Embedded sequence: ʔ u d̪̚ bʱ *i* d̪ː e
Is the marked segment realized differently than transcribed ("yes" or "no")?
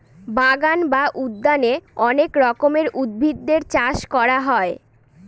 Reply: no